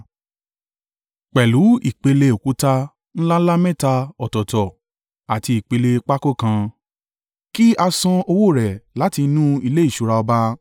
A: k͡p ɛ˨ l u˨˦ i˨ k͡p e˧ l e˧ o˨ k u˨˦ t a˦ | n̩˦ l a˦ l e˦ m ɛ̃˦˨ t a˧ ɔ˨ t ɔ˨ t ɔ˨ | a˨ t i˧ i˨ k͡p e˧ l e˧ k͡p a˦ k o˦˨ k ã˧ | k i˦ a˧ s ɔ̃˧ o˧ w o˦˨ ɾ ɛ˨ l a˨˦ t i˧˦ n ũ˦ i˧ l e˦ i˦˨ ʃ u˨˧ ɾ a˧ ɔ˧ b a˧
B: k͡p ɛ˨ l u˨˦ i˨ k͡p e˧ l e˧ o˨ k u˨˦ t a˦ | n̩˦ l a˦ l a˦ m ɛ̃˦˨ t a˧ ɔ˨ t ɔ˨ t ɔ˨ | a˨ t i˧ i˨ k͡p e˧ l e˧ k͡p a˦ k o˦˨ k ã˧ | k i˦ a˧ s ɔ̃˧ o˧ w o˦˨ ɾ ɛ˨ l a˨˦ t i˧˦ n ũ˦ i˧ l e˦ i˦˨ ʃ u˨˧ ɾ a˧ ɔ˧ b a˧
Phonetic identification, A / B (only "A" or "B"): B